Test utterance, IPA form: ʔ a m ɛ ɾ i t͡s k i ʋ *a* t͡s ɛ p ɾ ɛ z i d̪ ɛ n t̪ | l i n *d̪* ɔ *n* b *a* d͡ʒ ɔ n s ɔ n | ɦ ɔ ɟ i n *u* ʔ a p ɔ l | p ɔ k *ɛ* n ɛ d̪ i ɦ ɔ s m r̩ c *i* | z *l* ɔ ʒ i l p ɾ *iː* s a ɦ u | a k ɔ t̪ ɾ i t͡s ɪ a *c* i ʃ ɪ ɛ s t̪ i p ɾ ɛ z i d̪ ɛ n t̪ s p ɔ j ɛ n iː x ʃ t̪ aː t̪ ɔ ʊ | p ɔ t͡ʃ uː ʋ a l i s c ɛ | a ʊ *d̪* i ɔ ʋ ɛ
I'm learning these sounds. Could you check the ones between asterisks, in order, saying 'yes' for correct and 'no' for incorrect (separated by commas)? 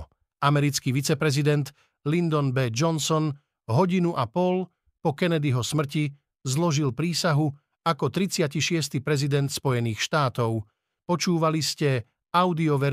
no, yes, yes, no, yes, yes, yes, yes, yes, yes, yes